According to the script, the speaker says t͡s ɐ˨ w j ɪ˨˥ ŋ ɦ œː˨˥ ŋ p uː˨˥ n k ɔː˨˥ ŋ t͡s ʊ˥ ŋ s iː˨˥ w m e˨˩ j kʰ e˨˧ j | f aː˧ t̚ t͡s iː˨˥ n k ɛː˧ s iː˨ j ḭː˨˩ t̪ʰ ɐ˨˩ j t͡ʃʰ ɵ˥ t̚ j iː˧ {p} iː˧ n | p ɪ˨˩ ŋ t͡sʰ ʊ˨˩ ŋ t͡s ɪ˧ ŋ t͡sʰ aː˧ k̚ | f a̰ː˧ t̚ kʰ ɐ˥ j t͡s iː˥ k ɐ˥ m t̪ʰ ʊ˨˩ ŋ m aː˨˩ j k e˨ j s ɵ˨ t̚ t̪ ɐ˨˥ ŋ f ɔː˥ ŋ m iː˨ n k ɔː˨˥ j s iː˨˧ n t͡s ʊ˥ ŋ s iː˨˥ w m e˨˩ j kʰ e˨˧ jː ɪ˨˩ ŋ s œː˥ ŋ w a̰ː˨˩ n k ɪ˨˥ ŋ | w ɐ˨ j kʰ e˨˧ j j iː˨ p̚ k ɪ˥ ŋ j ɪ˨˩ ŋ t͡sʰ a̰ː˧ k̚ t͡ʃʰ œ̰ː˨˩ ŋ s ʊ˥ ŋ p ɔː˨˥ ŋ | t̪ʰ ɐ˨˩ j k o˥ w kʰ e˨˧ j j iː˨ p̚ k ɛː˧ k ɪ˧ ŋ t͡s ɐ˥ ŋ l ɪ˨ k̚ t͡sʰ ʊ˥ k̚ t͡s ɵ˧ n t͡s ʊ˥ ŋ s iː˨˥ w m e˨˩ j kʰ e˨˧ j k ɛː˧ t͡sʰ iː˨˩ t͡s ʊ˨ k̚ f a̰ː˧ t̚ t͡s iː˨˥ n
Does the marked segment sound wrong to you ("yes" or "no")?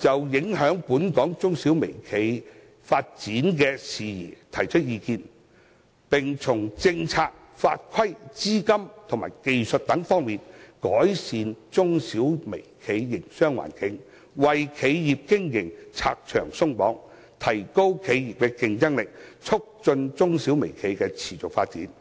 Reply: yes